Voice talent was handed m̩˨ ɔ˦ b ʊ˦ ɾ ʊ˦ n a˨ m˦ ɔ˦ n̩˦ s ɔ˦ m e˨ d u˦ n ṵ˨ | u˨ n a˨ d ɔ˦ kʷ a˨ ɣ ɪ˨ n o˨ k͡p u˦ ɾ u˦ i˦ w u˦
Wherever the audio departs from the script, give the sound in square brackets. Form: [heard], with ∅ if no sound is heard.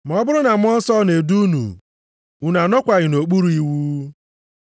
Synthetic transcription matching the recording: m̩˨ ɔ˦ b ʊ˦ ɾ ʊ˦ n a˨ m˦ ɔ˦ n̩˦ s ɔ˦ [n] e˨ d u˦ n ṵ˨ | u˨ n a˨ [n] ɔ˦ kʷ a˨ ɣ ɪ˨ n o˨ k͡p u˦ ɾ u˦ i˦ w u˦